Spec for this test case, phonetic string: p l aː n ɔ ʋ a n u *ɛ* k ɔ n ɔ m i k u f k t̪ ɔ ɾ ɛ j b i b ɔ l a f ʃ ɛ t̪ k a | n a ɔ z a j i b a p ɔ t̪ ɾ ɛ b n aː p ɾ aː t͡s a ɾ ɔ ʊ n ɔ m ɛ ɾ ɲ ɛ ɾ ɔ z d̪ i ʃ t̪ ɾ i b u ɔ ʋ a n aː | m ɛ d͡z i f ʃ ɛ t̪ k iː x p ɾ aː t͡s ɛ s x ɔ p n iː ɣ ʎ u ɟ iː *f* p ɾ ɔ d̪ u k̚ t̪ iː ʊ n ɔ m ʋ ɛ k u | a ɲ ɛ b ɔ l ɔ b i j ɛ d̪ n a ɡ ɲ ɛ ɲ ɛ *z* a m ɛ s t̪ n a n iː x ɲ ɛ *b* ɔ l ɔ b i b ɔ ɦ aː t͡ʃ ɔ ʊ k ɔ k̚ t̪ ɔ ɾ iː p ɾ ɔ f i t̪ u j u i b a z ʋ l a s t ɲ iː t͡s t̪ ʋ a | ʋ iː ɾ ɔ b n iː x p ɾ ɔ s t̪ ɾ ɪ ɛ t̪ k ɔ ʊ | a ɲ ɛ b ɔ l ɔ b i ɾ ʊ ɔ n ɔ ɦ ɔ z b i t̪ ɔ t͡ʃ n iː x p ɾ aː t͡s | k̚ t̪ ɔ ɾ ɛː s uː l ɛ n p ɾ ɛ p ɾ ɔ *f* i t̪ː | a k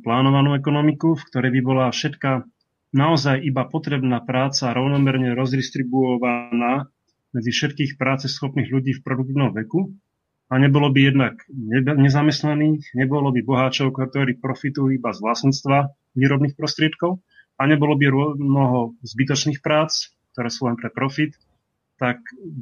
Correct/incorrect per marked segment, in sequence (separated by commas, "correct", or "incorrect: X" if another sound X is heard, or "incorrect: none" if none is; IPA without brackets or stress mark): correct, correct, correct, correct, correct